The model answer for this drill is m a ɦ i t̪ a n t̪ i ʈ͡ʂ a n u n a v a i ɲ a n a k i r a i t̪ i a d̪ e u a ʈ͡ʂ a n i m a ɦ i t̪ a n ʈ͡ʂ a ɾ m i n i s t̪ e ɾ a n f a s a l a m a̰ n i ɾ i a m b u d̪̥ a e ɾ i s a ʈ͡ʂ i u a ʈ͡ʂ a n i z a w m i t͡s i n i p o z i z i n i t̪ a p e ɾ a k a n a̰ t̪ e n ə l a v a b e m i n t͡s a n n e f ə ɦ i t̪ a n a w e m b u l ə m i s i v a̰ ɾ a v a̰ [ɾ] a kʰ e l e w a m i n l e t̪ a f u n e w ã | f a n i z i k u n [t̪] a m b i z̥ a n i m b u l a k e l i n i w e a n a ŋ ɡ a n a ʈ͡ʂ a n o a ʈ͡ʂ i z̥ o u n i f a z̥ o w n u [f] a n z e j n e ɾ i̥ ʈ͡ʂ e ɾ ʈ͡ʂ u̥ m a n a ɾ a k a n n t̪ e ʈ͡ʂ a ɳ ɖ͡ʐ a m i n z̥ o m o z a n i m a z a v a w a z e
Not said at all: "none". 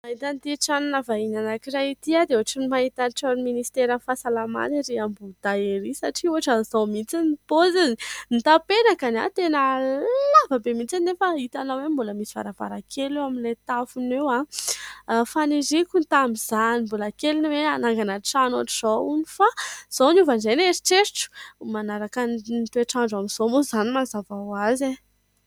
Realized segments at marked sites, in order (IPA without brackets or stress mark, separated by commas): ɾ, t̪, v